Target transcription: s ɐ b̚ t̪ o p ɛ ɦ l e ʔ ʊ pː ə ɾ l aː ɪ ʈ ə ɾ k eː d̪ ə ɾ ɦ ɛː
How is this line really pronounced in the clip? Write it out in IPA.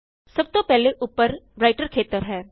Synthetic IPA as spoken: s ɐ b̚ t̪ o p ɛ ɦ l e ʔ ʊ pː ə ɾ ɾ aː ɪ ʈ ə ɾ kʰ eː t̪ ə ɾ ɦ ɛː